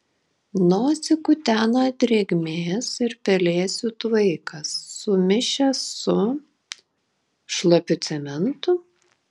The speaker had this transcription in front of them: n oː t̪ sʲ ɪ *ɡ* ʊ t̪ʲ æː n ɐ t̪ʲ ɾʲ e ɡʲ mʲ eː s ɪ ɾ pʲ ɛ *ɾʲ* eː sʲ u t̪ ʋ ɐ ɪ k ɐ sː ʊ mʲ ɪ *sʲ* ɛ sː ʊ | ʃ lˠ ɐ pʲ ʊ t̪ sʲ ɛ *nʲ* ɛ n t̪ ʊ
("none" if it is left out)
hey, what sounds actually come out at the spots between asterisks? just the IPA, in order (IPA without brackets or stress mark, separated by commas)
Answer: k, lʲ, ʃʲ, mʲ